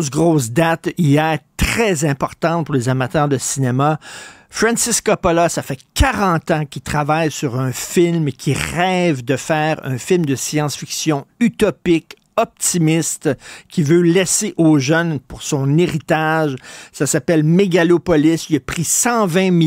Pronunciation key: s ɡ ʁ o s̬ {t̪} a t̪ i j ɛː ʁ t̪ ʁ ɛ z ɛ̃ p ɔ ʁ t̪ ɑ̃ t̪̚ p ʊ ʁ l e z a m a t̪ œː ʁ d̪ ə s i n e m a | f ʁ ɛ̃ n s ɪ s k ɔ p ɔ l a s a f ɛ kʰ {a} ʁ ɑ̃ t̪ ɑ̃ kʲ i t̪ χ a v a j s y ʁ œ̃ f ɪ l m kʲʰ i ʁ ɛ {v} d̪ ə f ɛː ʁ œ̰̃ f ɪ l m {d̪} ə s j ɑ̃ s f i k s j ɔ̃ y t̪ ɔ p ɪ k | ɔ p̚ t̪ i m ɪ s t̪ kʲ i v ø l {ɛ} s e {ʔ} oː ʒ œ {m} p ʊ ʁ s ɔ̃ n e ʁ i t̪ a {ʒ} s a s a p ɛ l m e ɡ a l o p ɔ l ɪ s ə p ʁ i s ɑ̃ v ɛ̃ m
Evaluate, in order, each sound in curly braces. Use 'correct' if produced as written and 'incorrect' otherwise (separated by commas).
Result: incorrect, correct, correct, correct, correct, correct, incorrect, correct